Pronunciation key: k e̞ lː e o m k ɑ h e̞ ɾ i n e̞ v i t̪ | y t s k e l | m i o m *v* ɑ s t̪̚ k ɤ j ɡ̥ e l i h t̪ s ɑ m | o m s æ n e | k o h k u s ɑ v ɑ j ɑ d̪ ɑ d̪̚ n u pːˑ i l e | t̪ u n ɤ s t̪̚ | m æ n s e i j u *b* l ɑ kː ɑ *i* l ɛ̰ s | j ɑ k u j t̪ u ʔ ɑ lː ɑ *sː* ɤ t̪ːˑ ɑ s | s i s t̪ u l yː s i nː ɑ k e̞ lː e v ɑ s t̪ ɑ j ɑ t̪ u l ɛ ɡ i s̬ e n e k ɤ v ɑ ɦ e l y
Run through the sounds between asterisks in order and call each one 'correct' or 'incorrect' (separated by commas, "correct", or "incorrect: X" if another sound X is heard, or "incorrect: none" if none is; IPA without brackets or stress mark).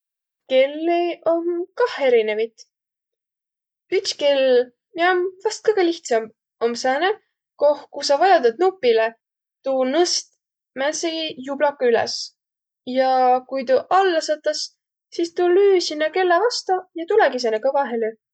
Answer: correct, correct, incorrect: y, incorrect: s